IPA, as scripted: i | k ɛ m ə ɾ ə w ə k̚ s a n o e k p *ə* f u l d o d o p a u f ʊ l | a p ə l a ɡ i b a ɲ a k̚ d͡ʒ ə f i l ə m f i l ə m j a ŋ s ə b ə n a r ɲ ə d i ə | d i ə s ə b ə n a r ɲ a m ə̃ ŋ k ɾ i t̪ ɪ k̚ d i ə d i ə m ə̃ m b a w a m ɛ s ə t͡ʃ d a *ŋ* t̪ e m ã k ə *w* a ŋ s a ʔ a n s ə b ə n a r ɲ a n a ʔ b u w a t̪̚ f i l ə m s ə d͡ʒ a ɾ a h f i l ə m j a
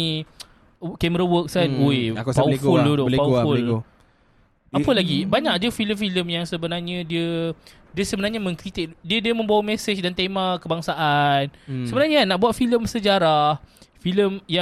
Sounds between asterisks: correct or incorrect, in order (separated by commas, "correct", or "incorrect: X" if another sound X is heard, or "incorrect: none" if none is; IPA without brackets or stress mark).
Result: incorrect: a, incorrect: n, incorrect: b